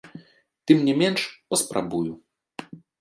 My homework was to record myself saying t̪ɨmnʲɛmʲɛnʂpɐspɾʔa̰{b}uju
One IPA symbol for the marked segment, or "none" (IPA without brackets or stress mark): b